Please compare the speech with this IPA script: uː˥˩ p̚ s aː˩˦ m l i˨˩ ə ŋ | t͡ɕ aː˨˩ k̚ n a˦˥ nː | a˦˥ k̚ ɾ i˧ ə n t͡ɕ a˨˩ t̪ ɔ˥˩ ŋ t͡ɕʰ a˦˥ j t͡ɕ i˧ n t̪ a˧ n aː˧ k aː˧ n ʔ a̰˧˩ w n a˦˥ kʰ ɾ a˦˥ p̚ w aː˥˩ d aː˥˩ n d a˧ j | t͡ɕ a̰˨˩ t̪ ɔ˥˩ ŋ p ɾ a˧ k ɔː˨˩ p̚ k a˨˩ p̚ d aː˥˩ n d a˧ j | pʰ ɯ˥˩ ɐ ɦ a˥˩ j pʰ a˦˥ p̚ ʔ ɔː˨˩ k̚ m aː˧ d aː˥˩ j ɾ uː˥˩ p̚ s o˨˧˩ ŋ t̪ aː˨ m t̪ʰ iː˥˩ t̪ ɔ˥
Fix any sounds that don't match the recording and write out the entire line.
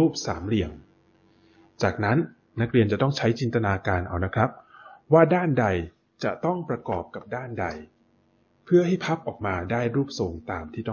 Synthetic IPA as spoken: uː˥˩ p̚ s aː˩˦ m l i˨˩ ə ŋ | t͡ɕ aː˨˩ k̚ n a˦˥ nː | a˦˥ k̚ ɾ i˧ ə n t͡ɕ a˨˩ t̪ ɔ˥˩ ŋ t͡ɕʰ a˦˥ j t͡ɕ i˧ n t̪ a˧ n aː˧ k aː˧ n ʔ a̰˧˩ w n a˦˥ kʰ ɾ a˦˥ p̚ w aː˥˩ d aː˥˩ n d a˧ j | t͡ɕ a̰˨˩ t̪ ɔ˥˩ ŋ p ɾ a˧ k ɔː˨˩ p̚ k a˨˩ p̚ d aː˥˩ n d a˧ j | pʰ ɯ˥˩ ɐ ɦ a˥˩ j pʰ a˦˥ p̚ ʔ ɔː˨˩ k̚ m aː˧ d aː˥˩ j ɾ uː˥˩ p̚ s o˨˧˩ ŋ t̪ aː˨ m t̪ʰ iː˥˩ t̪ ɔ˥